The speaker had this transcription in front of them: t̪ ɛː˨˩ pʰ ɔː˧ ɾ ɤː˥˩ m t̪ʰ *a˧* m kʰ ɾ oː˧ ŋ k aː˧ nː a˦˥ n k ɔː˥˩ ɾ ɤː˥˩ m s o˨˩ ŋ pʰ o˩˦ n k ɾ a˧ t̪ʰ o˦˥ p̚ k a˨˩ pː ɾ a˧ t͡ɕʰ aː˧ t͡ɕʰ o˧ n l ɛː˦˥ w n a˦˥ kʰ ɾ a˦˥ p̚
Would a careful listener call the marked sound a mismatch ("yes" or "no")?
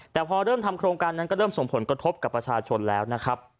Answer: no